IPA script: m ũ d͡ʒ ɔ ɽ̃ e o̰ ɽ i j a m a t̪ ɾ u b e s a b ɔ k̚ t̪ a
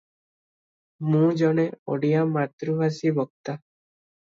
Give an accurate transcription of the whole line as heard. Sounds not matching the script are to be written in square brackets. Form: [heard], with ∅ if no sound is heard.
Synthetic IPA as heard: m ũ d͡ʒ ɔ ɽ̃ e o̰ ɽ i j a m a t̪ ɾ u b [a] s [i] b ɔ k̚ t̪ a

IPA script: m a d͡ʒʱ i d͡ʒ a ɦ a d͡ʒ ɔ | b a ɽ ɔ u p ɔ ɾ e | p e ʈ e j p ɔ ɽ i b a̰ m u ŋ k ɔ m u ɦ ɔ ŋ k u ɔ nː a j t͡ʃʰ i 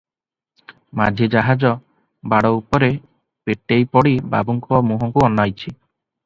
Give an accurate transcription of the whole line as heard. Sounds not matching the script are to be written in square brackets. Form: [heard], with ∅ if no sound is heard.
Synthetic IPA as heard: m a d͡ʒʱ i d͡ʒ a ɦ a d͡ʒ ɔ | b a ɽ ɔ u p ɔ ɾ e | p e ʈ e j p ɔ ɽ i b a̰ [b] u ŋ k ɔ m u ɦ ɔ ŋ k u ɔ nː a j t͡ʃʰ i

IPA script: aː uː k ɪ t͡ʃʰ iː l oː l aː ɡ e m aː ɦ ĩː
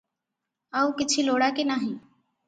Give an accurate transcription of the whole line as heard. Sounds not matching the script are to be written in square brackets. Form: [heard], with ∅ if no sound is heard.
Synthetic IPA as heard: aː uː k ɪ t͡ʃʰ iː l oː [ɽ] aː [k] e [n] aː ɦ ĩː

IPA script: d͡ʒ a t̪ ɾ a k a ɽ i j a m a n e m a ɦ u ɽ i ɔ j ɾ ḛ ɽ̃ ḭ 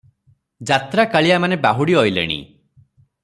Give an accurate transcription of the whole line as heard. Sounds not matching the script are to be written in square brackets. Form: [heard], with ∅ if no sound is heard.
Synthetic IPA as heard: d͡ʒ a t̪ ɾ a k a [ɭ] i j a m a n e [b] a ɦ u ɽ i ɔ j [l] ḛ ɽ̃ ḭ

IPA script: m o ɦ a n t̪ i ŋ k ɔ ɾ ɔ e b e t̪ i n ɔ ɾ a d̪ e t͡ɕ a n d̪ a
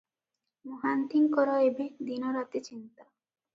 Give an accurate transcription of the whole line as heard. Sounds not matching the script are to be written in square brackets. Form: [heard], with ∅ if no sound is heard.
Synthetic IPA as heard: m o ɦ a n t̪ i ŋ k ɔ ɾ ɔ e b e [d̪] i n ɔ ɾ a [t̪] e t͡ɕ [i] n [t̪] a

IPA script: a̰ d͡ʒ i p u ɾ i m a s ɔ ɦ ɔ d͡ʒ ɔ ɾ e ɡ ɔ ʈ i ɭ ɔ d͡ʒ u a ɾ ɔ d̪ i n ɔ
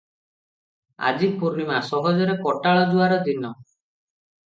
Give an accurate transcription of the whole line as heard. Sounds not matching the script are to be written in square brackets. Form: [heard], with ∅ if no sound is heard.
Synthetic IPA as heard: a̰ d͡ʒ i p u ɾ i m a s ɔ ɦ ɔ d͡ʒ ɔ ɾ e [k] ɔ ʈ [a] ɭ ɔ d͡ʒ u a ɾ ɔ d̪ i n ɔ

